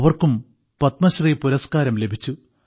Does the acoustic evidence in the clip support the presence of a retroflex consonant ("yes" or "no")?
no